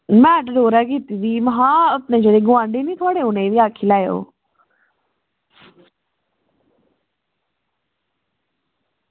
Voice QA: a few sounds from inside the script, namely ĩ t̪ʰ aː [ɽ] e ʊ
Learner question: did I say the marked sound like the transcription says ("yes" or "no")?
yes